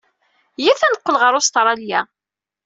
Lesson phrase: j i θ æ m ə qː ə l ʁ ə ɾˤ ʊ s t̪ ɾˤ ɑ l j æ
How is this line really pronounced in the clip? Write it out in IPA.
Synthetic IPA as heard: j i θ æ n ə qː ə l ʁ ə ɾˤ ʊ s t̪ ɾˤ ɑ l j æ